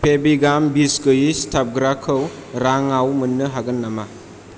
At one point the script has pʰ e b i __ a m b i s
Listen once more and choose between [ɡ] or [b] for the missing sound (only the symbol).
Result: ɡ